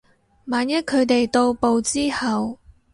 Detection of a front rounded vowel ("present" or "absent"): absent